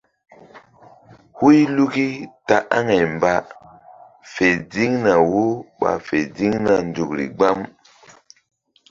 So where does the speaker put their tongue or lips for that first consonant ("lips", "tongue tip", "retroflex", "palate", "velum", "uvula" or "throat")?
throat